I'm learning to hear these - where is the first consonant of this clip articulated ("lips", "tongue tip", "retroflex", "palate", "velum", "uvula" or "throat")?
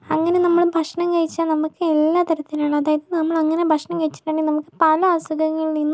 velum